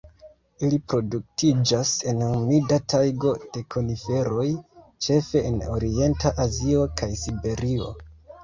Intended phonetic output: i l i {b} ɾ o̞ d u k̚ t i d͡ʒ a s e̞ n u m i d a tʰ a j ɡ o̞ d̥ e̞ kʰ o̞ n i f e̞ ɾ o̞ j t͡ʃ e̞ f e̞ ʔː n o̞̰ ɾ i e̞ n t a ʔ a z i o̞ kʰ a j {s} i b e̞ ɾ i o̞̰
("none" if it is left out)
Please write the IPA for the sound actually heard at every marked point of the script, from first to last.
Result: p, s

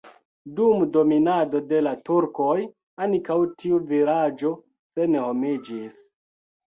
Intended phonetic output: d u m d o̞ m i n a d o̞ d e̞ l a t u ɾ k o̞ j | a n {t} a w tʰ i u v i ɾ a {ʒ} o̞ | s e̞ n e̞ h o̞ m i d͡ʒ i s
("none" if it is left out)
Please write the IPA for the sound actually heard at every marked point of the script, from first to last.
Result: k, d͡ʒ

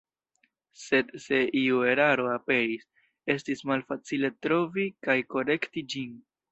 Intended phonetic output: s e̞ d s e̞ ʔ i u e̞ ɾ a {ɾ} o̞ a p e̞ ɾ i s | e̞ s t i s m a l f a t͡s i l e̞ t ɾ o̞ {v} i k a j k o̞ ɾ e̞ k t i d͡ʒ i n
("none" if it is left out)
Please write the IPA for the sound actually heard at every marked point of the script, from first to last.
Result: ɾ, v

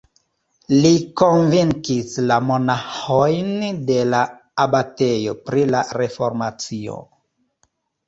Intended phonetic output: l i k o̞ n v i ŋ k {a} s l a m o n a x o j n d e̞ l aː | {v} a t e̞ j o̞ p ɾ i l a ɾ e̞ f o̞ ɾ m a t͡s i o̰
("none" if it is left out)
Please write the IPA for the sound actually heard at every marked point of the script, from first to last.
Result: i, b

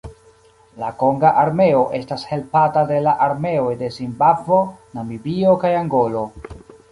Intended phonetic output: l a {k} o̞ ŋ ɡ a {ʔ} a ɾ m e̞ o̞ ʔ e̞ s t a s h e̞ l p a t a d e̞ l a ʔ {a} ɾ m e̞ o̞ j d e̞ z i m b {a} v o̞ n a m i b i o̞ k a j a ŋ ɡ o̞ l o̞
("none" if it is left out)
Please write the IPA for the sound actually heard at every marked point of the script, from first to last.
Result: k, ʔ, a, a

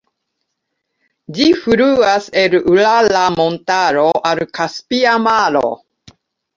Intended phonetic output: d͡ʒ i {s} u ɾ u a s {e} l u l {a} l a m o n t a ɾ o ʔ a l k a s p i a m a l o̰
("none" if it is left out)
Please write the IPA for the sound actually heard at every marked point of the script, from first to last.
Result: f, e, a

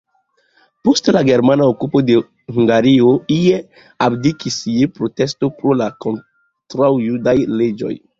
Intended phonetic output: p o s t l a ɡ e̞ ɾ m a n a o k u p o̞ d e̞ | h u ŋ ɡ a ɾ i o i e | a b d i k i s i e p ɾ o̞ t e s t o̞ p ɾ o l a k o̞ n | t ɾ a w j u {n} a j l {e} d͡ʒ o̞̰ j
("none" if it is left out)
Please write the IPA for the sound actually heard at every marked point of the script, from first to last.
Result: d, e

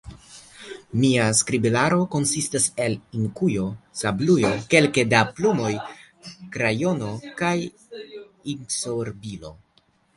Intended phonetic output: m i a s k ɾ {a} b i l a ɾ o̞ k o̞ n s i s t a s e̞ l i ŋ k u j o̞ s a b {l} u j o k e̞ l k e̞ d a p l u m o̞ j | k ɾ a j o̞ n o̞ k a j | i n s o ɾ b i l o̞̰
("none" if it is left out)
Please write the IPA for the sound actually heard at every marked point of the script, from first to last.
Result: i, l

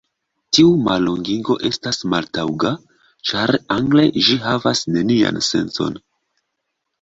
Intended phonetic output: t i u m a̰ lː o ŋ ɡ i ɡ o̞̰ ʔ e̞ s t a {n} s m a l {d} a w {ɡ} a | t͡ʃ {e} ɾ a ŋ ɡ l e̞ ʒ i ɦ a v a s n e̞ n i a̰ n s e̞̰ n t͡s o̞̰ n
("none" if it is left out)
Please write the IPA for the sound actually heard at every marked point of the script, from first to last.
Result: none, t, ɡ, a

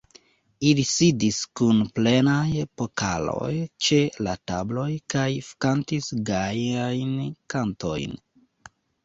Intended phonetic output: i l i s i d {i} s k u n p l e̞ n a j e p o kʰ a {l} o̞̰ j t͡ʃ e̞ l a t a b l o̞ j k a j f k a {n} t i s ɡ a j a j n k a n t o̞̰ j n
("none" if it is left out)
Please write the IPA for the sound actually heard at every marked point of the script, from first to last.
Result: i, l, n

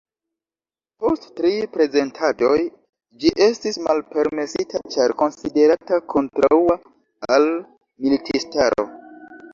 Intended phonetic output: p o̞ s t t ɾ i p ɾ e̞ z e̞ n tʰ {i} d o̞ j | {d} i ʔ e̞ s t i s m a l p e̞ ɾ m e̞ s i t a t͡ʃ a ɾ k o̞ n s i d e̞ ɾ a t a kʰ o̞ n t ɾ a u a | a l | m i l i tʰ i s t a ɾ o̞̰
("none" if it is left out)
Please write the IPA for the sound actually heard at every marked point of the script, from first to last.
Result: a, d͡ʒ

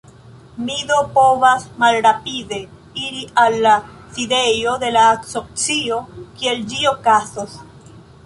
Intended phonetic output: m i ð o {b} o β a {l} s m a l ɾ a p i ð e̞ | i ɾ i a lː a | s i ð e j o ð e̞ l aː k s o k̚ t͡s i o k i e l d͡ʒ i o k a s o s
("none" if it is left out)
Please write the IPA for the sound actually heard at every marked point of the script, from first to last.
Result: p, none

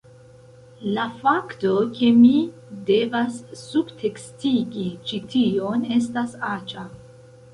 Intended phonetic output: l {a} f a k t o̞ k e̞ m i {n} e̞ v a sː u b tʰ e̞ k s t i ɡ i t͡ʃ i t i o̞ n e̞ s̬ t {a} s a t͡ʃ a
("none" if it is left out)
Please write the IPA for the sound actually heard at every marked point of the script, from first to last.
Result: a, d, a

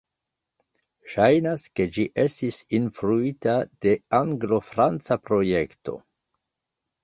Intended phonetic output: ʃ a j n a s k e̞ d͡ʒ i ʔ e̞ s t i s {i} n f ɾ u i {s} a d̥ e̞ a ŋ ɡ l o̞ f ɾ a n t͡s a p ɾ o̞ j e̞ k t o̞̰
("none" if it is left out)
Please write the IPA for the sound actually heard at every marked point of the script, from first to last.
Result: i, t

